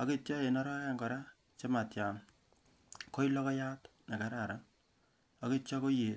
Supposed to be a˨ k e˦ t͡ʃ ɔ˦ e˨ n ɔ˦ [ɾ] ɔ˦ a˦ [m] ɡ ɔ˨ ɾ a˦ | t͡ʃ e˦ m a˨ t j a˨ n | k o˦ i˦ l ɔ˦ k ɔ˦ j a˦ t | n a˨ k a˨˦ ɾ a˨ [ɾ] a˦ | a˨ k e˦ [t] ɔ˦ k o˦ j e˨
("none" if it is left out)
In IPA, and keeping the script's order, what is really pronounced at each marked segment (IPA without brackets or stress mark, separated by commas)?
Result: ɾ, ŋ, ɾ, t͡ʃ